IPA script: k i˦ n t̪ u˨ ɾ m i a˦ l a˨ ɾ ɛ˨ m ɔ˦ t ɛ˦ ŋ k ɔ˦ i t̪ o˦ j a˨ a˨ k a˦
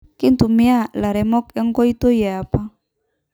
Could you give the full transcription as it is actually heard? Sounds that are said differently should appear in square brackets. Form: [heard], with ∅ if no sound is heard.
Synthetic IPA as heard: k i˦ n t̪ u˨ [∅] m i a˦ l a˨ ɾ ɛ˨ m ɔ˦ [k] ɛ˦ ŋ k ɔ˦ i t̪ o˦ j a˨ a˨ [p] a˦